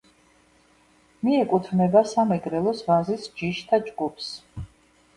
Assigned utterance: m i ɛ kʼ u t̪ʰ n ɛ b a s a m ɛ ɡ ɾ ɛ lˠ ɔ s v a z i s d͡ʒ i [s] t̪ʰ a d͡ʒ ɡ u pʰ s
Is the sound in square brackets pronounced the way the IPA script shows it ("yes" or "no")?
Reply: no